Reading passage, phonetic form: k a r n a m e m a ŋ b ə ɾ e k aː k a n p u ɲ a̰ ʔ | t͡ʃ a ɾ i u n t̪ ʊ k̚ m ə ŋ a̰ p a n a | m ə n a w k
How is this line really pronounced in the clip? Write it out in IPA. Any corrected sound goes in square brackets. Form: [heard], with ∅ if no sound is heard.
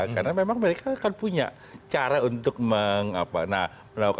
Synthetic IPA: k a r n a m e m a ŋ [m] ə ɾ e k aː k a n p u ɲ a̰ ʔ | t͡ʃ a ɾ [a] u n t̪ ʊ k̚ m ə ŋ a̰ p a n a | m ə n a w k

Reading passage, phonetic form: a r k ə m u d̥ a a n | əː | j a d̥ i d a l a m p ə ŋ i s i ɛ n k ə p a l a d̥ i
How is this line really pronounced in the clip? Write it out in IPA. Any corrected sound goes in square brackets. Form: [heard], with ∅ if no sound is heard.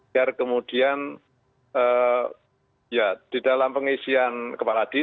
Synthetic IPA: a r k ə m u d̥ [i] a n | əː | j a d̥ i d a l a m p ə ŋ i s i [a] n k ə p a l a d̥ i

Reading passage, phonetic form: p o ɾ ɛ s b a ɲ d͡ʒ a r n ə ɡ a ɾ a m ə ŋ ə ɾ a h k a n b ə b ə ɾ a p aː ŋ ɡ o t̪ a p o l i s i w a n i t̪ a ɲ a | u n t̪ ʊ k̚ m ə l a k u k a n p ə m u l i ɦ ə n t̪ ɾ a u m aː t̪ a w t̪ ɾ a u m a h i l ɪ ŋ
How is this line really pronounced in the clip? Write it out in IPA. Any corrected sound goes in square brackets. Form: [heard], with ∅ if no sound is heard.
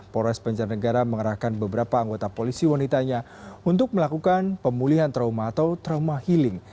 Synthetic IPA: p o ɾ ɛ s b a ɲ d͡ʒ a r n ə ɡ a ɾ a m ə ŋ ə ɾ a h k a n b ə b ə ɾ a p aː ŋ ɡ o t̪ a p o l i s i w a n i t̪ a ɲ a | u n t̪ ʊ k̚ m ə l a k u k a n p ə m u l i ɦ [a] n t̪ ɾ a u m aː t̪ a w t̪ ɾ a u m a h i l ɪ ŋ

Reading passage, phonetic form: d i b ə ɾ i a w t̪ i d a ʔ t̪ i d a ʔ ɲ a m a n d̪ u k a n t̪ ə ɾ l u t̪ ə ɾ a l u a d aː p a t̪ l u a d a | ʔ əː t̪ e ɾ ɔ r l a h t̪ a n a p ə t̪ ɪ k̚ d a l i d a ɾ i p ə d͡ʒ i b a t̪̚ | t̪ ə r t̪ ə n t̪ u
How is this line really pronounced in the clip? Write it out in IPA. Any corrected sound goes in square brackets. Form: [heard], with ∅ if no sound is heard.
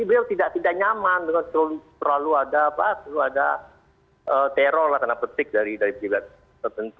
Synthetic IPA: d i b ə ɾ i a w t̪ i d a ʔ t̪ i d a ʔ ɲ a m a n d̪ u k a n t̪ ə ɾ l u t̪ ə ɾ a l u a d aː p a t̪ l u a d a | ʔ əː t̪ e ɾ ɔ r l a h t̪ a n a p ə t̪ ɪ k̚ d a [ɾ] i d a ɾ i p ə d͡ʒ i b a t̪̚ | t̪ ə r t̪ ə n t̪ u

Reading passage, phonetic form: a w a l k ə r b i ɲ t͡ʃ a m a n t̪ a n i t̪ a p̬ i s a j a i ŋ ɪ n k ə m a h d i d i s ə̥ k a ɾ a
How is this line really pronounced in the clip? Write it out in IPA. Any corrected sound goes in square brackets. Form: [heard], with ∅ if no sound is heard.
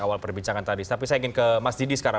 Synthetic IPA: a w a l [p] ə r b i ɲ t͡ʃ a [ŋ] a n t̪ a [d] i t̪ a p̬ i s a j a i ŋ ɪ n k ə m a [s] d i d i s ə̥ k a ɾ a

